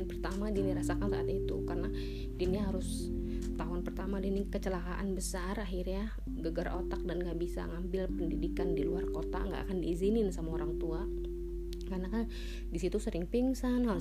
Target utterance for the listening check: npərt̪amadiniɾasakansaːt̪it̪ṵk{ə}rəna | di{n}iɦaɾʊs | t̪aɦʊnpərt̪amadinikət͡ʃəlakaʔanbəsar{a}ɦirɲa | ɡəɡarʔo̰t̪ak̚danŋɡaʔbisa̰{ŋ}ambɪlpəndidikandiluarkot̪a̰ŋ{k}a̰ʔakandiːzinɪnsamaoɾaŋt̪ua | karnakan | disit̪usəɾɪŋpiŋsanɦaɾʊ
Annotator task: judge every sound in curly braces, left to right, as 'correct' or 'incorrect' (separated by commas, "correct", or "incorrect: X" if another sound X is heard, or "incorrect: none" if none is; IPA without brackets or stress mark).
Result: incorrect: a, correct, correct, correct, incorrect: ɡ